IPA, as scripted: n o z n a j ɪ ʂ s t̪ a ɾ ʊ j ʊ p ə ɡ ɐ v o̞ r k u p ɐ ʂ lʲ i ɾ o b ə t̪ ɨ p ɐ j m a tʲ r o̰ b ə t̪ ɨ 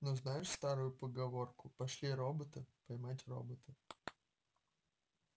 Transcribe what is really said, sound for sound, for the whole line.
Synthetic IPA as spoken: n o z n a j ɪ ʂ s t̪ a ɾ ʊ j ʊ p ə ɡ ɐ v o̞ r k ʊ p ɐ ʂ lʲ i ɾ o b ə t̪ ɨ p ɐ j m a tʲ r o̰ b ə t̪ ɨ